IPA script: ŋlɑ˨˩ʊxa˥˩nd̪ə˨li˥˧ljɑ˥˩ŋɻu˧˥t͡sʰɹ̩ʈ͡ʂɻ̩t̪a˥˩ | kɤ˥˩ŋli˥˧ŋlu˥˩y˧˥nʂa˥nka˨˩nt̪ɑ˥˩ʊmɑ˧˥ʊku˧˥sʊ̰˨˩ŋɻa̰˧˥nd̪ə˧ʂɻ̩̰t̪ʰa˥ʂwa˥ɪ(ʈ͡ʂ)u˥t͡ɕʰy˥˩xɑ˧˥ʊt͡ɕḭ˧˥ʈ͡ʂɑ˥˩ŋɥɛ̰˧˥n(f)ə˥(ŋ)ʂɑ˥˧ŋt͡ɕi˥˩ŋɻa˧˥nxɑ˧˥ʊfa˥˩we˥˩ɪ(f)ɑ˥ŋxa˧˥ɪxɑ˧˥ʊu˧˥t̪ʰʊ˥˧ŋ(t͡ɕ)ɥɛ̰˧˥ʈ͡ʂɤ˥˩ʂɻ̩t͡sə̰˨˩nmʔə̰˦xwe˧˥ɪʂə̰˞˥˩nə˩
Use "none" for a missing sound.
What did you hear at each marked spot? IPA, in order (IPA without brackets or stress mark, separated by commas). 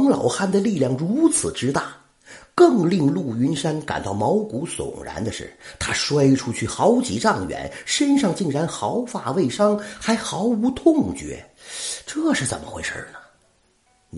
ʈ͡ʂʰ, ʂ, n, ʂ, t͡ɕ